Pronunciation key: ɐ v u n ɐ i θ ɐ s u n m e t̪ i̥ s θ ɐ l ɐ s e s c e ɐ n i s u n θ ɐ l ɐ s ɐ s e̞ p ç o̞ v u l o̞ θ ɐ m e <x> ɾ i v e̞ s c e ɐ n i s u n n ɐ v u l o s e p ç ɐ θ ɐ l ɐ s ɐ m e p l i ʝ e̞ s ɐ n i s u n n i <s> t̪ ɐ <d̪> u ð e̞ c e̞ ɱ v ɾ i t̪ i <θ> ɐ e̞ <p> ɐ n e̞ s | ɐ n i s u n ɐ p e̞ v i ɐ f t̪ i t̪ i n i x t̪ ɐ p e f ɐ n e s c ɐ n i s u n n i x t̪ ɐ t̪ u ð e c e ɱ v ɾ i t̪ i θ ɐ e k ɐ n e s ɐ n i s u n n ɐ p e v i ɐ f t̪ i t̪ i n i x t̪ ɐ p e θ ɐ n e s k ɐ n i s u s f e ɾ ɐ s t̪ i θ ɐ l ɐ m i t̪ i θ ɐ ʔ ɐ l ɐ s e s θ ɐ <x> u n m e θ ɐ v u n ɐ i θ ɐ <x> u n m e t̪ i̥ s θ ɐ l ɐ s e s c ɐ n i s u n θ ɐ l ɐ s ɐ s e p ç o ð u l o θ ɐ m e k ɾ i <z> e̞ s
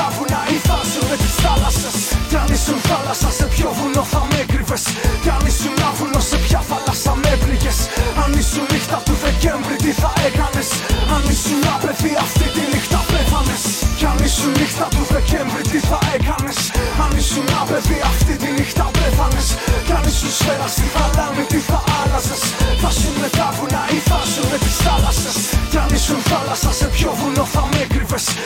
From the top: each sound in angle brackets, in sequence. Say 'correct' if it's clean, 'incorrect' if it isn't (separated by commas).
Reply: incorrect, incorrect, incorrect, correct, incorrect, incorrect, incorrect, incorrect